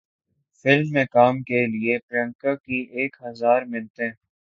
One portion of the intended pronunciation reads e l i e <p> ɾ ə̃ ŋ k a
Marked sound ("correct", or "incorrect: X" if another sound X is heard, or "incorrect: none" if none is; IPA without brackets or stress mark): correct